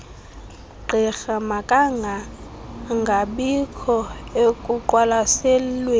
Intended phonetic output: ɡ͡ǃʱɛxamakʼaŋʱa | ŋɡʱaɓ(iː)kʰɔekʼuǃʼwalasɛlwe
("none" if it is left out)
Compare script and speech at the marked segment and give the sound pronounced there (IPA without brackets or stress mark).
i